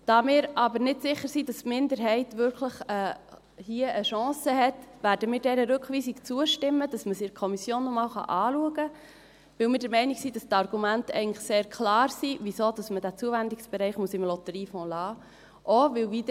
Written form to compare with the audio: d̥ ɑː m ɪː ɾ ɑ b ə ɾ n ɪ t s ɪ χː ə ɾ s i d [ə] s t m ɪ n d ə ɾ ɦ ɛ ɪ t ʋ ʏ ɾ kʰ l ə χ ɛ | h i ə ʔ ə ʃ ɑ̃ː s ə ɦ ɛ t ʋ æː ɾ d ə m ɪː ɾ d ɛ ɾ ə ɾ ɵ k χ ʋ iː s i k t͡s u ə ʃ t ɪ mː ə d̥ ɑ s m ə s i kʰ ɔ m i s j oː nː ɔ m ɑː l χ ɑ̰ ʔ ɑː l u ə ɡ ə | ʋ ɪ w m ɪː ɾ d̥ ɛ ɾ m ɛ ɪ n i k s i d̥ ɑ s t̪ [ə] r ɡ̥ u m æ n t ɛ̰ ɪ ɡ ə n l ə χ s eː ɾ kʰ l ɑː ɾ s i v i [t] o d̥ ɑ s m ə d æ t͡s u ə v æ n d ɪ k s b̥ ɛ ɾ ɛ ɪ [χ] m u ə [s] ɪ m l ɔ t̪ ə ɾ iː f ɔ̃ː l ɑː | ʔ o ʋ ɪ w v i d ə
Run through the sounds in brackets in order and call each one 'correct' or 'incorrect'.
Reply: incorrect: ɑ, incorrect: ɑ, incorrect: s, correct, correct

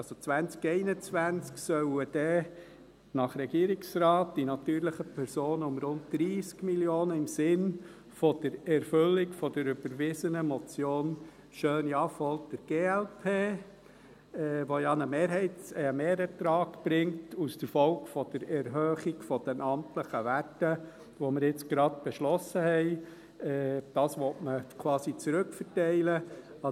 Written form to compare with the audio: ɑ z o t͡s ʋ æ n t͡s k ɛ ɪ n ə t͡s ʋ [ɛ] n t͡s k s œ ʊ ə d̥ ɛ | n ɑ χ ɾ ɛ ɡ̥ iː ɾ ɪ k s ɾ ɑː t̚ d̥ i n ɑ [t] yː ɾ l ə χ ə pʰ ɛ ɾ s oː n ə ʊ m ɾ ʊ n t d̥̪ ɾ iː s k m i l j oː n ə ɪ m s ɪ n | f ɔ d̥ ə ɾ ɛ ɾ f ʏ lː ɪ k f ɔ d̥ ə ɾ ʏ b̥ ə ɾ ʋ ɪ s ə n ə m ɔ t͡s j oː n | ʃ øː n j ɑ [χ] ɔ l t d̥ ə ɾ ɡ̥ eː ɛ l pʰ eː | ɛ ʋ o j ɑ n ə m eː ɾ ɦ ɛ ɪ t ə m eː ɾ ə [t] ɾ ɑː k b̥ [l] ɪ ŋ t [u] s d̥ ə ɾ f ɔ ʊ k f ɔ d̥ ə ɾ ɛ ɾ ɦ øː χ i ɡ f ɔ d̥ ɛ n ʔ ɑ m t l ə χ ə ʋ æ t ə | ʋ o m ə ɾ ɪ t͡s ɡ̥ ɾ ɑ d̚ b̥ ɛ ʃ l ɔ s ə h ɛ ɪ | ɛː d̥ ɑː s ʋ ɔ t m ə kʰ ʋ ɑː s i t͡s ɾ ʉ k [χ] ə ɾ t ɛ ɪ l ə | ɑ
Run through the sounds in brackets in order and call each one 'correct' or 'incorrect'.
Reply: incorrect: æ, correct, incorrect: f, correct, incorrect: ɾ, correct, incorrect: f

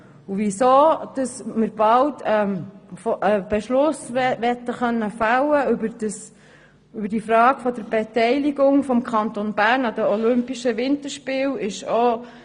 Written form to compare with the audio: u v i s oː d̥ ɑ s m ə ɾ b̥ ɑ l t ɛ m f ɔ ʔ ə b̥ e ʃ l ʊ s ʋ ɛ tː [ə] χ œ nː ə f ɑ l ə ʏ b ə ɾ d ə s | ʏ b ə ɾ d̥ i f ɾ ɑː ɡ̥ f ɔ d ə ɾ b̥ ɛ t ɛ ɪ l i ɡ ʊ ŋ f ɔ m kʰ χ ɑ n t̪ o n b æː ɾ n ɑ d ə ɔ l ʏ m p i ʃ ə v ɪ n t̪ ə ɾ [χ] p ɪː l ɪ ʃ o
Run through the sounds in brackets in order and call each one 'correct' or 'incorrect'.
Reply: correct, incorrect: ʃ

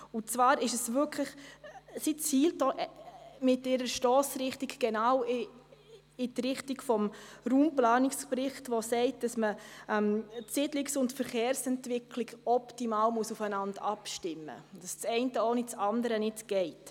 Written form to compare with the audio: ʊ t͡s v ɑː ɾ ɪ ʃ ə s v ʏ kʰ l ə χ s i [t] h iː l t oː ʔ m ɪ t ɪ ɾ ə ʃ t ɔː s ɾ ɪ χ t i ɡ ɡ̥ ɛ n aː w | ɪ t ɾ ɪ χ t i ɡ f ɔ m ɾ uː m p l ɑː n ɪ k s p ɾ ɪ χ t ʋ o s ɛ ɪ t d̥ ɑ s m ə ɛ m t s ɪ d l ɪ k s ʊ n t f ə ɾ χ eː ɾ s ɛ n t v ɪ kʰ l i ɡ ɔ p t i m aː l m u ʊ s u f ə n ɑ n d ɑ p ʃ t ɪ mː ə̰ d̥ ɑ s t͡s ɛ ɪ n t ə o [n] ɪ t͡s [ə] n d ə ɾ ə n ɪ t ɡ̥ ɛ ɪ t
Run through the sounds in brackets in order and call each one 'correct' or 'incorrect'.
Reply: incorrect: t͡s, correct, incorrect: ɑ

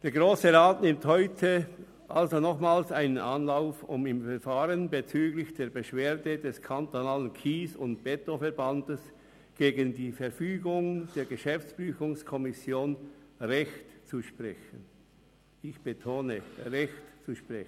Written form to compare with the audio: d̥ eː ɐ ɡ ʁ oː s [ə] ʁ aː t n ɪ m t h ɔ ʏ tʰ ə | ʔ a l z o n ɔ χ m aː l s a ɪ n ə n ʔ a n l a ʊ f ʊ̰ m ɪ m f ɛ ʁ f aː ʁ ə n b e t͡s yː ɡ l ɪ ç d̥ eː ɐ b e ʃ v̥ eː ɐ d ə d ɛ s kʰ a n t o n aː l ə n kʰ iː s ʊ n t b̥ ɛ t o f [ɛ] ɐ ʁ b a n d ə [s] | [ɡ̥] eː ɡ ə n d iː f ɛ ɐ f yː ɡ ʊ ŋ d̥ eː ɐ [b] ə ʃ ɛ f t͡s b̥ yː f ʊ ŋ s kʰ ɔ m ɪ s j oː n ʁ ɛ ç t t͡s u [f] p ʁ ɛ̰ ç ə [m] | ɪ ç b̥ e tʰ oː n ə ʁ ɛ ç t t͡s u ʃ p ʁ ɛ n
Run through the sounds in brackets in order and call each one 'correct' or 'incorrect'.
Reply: correct, correct, correct, correct, incorrect: ɡ, incorrect: ʃ, incorrect: n

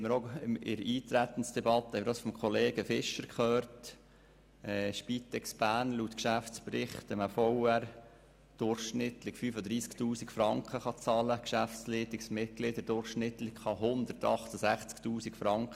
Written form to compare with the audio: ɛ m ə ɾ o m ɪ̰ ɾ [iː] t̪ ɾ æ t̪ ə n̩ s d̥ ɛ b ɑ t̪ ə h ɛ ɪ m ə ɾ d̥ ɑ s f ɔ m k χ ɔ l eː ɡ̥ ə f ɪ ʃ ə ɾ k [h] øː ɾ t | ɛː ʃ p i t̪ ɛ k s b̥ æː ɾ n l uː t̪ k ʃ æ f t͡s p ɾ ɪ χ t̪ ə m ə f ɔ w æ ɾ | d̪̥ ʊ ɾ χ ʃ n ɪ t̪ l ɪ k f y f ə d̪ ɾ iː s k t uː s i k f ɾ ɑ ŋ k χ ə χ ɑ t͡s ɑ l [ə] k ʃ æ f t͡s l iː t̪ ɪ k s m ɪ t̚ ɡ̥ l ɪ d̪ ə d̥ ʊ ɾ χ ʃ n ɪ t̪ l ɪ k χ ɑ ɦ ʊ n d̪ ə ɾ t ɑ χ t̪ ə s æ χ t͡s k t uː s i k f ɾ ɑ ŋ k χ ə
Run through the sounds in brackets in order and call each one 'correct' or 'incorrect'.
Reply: correct, incorrect: χ, correct

